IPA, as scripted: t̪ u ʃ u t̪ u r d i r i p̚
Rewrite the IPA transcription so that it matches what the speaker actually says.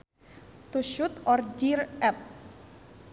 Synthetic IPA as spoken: t̪ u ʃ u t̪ ɔ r d͡ʒ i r ɛ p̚